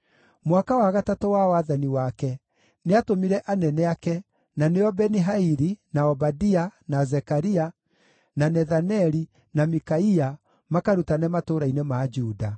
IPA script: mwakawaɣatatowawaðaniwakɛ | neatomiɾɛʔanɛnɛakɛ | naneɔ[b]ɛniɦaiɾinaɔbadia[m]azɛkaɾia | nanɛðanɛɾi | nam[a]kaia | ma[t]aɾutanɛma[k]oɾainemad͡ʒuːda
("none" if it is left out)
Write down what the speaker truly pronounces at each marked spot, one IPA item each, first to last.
b, n, i, k, t

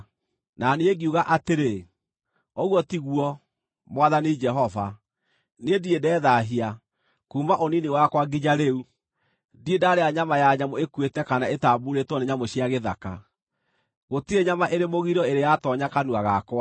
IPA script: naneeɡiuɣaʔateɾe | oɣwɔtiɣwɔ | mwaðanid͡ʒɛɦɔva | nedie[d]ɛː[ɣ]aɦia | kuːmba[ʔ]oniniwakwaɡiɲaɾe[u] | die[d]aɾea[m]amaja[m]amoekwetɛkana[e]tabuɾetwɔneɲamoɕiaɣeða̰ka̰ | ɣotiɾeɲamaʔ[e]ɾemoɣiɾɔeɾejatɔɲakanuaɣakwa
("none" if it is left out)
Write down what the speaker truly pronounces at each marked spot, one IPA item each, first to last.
d, ð, ʔ, u, d, ɲ, ɲ, e, e

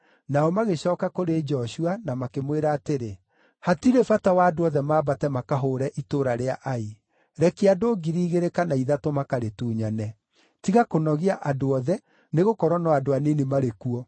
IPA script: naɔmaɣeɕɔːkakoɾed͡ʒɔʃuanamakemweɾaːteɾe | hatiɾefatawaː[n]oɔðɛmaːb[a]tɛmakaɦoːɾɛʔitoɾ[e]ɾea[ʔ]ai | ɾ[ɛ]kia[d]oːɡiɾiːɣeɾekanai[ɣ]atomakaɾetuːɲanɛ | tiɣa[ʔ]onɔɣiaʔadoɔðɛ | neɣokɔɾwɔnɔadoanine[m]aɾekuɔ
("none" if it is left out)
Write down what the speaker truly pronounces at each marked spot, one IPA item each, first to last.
d, a, a, ʔ, ɛ, d, ð, k, m

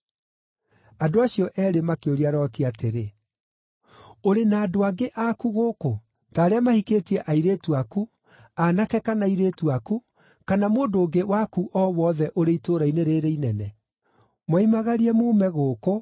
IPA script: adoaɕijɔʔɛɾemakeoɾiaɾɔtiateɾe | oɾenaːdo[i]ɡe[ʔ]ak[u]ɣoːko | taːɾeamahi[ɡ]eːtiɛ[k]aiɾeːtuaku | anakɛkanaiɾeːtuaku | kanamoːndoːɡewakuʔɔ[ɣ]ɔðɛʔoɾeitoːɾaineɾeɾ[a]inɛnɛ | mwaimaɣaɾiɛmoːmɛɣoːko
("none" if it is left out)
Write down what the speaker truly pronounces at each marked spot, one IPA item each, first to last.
a, ʔ, u, k, ʔ, w, e

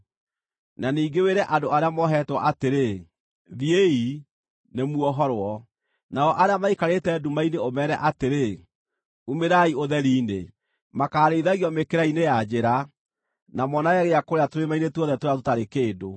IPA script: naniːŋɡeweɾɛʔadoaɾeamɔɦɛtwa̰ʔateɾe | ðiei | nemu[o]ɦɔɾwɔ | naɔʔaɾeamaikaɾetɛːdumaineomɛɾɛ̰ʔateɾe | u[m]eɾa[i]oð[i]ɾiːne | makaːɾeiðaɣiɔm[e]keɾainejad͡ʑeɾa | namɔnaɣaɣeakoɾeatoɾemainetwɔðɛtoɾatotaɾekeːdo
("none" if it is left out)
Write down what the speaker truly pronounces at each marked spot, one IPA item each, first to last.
ɔ, m, i, ɛ, e

